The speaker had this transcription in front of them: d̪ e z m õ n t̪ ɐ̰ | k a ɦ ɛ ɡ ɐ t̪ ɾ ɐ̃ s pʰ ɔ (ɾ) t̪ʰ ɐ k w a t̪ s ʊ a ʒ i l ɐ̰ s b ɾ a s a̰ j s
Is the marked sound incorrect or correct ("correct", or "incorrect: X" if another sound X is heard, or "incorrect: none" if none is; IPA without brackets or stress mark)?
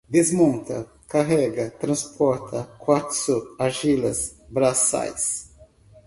correct